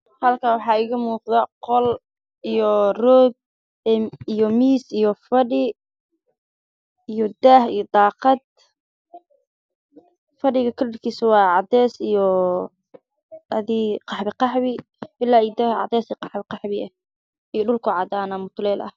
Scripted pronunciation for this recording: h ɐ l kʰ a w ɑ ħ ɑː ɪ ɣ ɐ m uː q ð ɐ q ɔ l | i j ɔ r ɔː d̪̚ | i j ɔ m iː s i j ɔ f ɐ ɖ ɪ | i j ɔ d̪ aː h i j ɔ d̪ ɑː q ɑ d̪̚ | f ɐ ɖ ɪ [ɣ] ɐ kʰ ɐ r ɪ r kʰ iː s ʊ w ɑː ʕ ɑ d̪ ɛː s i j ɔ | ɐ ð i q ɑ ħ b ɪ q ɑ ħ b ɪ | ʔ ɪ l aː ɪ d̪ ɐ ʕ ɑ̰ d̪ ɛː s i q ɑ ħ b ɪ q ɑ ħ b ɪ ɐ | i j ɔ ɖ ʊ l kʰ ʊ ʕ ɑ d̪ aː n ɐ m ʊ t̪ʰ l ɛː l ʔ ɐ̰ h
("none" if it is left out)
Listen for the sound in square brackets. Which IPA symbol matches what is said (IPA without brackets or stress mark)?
ɣ